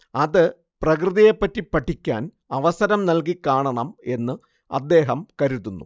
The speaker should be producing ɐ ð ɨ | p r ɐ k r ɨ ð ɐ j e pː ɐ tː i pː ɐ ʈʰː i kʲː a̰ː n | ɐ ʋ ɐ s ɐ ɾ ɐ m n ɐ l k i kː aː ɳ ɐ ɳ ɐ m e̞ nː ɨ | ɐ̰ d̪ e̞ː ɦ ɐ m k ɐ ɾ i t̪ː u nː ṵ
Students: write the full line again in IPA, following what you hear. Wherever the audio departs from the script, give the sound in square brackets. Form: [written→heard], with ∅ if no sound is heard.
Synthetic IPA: ɐ ð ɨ | p r ɐ k r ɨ ð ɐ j e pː ɐ tː i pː ɐ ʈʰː i kʲː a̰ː n | ɐ ʋ ɐ s ɐ ɾ ɐ m n ɐ l k i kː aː ɳ ɐ ɳ ɐ m e̞ nː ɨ | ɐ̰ [d̪→d̪ː] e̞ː ɦ ɐ m k ɐ ɾ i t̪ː u nː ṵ